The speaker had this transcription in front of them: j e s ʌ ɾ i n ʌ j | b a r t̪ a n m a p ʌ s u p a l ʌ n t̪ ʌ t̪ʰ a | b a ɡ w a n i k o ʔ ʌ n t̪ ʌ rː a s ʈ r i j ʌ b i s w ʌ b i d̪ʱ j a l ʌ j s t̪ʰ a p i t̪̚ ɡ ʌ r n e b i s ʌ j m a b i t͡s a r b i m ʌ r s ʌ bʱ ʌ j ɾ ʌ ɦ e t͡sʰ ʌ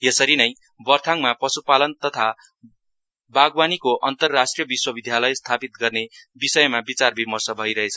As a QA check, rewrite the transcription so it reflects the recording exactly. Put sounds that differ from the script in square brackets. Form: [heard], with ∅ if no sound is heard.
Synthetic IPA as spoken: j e s ʌ ɾ i n ʌ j | b [ʌ] r [t̪ʰ] a [ŋ] m a p ʌ s u p a l ʌ n t̪ ʌ t̪ʰ a | b a ɡ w a n i k o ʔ ʌ n t̪ ʌ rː a s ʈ r i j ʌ b i s w ʌ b i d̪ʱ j a l ʌ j s t̪ʰ a p i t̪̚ ɡ ʌ r n e b i s ʌ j m a b i t͡s a r b i m ʌ r s ʌ bʱ ʌ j ɾ ʌ ɦ e t͡sʰ ʌ

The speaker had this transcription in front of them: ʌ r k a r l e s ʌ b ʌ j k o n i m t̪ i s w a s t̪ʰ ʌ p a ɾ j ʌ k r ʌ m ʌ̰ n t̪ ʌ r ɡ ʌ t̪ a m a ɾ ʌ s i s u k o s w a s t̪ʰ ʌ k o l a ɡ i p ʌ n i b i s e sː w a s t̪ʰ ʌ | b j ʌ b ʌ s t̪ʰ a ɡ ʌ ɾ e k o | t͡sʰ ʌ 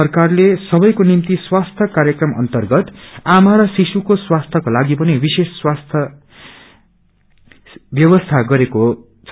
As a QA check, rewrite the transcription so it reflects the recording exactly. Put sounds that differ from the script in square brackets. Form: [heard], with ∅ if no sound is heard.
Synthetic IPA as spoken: ʌ r k a r l e s ʌ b ʌ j k o n i m t̪ i s w a s t̪ʰ ʌ [k] a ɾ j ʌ k r ʌ m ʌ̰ n t̪ ʌ r ɡ ʌ t̪ a m a ɾ ʌ s i s u k o s w a s t̪ʰ ʌ k o l a ɡ i p ʌ n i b i s e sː w a s t̪ʰ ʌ | b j ʌ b ʌ s t̪ʰ a ɡ ʌ ɾ e k o | t͡sʰ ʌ

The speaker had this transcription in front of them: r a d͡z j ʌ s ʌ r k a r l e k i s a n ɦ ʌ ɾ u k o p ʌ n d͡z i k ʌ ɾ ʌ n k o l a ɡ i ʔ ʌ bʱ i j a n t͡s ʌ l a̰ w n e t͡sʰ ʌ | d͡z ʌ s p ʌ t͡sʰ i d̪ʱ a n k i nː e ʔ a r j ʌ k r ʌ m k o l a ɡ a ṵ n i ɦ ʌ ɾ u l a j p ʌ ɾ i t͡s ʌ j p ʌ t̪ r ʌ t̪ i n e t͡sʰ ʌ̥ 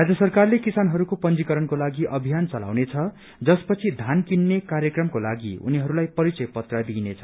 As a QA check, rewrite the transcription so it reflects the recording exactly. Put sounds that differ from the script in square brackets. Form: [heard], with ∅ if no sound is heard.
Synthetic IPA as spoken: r a d͡z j ʌ s ʌ r k a r l e k i s a n ɦ ʌ ɾ u k o p ʌ n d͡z i k ʌ ɾ ʌ n k o l a ɡ i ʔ ʌ bʱ i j a n t͡s ʌ l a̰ w n e t͡sʰ ʌ | d͡z ʌ s p ʌ t͡sʰ i d̪ʱ a n k i nː e [k] a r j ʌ k r ʌ m k o l a ɡ [i] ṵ n i ɦ ʌ ɾ u l a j p ʌ ɾ i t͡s ʌ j p ʌ t̪ r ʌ [d̪] i n e t͡sʰ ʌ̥

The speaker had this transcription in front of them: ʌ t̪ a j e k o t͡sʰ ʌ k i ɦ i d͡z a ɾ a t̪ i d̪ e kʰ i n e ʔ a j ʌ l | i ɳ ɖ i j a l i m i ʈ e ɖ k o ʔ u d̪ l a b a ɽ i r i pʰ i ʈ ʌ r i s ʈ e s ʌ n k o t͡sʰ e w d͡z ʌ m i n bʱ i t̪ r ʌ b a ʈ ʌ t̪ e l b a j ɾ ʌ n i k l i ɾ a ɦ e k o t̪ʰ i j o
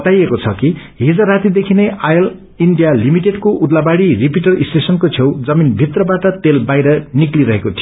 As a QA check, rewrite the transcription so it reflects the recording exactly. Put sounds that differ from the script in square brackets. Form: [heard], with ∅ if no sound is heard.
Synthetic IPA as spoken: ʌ t̪ a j e k o t͡sʰ ʌ k i ɦ i d͡z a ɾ a t̪ i d̪ e kʰ i n e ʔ a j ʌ l | i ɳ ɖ i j a l i m i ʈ e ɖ k o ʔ u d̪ l a b a ɽ i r i [p] i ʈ ʌ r i s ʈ e s ʌ n k o t͡sʰ e w d͡z ʌ m i n bʱ i t̪ r ʌ b a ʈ ʌ t̪ e l b a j ɾ ʌ n i k l i ɾ [ʌ] ɦ e k o t̪ʰ i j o

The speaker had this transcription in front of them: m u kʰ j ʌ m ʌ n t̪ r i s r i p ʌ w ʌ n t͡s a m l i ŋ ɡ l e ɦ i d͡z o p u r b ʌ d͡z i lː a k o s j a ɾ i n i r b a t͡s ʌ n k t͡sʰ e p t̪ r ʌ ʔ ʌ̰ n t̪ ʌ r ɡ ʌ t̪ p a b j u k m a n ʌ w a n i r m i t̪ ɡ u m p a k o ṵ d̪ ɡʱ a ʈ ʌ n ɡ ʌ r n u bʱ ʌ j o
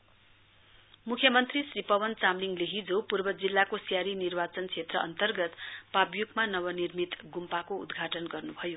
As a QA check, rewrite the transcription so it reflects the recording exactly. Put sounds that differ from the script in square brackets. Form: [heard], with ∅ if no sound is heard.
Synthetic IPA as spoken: m u kʰ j ʌ m ʌ n t̪ r i s r i p ʌ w ʌ n t͡s a m l i ŋ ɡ l e ɦ i d͡z o p u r b ʌ d͡z i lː a k o s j a ɾ i n i r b a t͡s ʌ n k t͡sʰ e [∅] t̪ r ʌ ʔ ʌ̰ n t̪ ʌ r ɡ ʌ t̪ p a b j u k m a n ʌ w [ʌ] n i r m i t̪ ɡ u m p a k o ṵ d̪ ɡʱ a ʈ ʌ n ɡ ʌ r n u bʱ ʌ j o

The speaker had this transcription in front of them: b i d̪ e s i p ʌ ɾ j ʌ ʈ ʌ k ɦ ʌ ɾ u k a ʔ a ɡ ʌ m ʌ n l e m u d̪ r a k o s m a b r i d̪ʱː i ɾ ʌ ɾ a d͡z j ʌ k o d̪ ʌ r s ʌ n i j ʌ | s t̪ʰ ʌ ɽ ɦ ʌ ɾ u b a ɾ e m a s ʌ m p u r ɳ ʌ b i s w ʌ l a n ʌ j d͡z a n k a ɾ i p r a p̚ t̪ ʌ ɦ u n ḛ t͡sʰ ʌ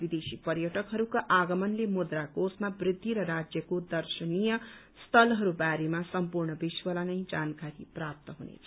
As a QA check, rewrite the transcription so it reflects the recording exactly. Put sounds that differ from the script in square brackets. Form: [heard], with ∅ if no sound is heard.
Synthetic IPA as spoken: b i d̪ e s i p ʌ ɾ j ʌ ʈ ʌ k ɦ ʌ ɾ u k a ʔ a ɡ ʌ m ʌ n l e m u d̪ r a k o s m a b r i d̪ʱː i ɾ ʌ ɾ a d͡z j ʌ k o d̪ ʌ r s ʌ n i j ʌ | s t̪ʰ ʌ [l] ɦ ʌ ɾ u b a ɾ e m a s ʌ m p u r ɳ ʌ b i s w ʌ l a n ʌ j d͡z a n k a ɾ i p r a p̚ t̪ ʌ ɦ u n ḛ t͡sʰ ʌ

